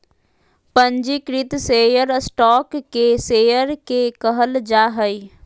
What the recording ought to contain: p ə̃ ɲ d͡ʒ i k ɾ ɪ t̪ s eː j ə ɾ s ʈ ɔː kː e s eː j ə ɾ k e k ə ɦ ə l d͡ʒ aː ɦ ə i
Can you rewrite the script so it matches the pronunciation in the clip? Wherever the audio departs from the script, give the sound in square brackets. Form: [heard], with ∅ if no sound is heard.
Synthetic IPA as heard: p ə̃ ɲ d͡ʒ i k ɾ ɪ t̪ s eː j ə ɾ s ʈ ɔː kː e s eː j ə ɾ k e k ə ɦ ə l d͡ʒ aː ɦ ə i